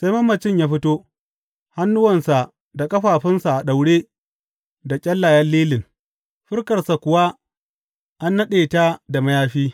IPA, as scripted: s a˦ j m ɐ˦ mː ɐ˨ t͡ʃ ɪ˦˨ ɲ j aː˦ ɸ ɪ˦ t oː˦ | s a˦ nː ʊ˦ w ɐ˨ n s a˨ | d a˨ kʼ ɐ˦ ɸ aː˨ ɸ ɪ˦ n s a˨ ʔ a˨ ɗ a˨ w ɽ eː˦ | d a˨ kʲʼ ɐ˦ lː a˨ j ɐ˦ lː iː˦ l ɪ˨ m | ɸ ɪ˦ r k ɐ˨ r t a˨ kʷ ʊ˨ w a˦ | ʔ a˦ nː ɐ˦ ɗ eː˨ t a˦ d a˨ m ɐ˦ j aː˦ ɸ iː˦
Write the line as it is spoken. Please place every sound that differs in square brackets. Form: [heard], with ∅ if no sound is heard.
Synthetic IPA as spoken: s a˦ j m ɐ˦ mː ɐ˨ t͡ʃ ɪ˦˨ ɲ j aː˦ ɸ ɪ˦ t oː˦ | [h] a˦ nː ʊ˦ w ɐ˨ n s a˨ | d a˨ kʼ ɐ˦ ɸ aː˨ ɸ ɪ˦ n s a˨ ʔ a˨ ɗ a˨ w ɽ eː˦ | d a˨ kʲʼ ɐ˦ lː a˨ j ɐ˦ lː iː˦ l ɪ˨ [ŋ] | ɸ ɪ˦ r k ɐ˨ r [s] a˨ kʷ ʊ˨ w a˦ | ʔ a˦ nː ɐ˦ ɗ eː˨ t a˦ d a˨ m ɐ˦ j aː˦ ɸ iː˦

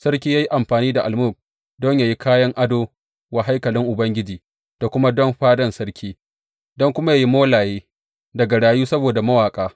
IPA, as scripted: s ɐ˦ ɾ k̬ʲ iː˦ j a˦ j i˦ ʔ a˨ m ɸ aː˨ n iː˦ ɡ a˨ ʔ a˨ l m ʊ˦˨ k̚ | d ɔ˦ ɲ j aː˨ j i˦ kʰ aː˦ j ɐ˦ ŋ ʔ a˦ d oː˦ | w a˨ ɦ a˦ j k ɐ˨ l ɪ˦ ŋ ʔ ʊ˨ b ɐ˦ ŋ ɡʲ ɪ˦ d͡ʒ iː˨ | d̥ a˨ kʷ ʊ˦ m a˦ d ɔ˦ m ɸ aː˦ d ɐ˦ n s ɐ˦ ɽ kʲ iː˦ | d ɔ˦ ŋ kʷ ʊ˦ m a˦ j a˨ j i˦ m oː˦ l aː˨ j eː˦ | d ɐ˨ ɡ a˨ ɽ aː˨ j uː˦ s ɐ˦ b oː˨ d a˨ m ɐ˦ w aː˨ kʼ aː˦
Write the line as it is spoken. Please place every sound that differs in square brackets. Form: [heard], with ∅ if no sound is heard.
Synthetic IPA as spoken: s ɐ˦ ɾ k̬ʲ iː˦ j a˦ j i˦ ʔ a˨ m ɸ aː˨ n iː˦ [d] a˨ ʔ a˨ l m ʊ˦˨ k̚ | d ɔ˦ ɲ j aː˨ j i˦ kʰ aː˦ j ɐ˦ ŋ ʔ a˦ d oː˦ | w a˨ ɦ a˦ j k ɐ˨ l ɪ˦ ŋ ʔ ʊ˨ b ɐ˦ ŋ ɡʲ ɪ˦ d͡ʒ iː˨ | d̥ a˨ kʷ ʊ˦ m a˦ d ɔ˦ m ɸ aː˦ d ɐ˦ n s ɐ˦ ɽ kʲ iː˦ | d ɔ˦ ŋ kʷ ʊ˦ m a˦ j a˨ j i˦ m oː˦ l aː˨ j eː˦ | d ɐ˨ ɡ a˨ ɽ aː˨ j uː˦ s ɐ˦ b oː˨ d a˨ m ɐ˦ w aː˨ kʼ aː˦

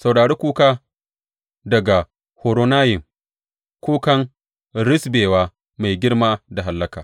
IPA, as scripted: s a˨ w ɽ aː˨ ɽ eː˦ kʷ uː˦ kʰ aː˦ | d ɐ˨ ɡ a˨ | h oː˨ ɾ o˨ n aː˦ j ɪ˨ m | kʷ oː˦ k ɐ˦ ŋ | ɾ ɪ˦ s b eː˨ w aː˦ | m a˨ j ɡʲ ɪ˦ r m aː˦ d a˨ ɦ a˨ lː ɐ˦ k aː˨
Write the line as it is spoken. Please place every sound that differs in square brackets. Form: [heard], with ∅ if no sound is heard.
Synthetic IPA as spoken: s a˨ w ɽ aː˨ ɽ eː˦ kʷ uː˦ [k] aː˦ | d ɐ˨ ɡ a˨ | h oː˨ ɾ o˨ n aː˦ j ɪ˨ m | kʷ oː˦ k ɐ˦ ŋ | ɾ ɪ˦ s b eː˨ w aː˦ | m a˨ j ɡʲ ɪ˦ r m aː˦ d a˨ ɦ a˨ lː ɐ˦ k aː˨

